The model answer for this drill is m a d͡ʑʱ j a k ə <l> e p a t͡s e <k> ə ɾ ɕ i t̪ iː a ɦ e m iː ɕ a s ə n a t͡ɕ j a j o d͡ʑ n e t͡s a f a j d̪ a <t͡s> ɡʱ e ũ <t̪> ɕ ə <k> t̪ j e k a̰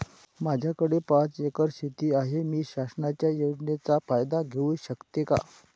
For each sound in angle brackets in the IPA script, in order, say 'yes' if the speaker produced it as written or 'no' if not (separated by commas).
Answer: no, yes, no, no, yes